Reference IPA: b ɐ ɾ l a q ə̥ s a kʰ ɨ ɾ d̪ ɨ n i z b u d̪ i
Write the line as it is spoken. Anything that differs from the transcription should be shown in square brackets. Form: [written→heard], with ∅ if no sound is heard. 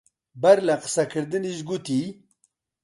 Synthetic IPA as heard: b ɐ ɾ l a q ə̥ s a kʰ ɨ ɾ d̪ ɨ n i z [b→ɡ] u [d̪→t̪] i